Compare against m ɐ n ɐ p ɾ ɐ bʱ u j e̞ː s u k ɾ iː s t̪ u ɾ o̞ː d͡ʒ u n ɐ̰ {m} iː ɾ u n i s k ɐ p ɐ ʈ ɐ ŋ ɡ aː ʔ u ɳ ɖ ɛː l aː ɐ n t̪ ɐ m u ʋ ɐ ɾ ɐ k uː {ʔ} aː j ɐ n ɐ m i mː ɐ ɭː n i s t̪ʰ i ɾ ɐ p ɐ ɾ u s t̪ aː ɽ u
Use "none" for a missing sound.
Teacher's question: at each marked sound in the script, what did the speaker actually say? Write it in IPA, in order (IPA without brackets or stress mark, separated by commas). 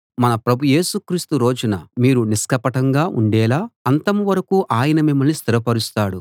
m, ʔ